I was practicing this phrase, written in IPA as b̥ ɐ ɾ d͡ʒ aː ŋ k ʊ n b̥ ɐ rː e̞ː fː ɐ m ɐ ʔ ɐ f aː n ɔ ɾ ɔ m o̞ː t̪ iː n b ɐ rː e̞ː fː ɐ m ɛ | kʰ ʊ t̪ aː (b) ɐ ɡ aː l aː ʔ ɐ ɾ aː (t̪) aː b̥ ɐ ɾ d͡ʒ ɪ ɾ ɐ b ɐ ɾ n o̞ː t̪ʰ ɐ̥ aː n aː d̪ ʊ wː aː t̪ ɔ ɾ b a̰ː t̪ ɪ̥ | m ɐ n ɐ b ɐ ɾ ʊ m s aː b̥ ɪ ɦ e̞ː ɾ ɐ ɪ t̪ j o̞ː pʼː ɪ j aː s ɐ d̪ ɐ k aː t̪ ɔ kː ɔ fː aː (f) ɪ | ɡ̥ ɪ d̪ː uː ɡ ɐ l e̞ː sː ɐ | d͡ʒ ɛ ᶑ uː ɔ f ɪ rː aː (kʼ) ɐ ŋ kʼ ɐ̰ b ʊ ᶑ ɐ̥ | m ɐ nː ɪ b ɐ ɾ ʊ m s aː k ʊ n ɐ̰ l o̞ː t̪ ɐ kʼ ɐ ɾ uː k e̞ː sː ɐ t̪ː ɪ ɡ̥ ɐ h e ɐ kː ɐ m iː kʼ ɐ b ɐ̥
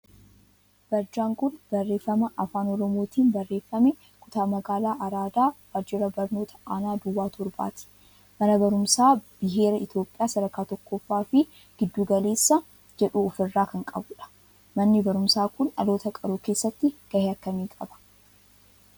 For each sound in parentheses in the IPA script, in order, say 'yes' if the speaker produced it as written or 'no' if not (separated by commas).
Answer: no, no, yes, no